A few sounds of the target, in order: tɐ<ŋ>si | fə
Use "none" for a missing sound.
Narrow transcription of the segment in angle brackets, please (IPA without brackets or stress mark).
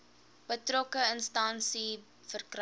n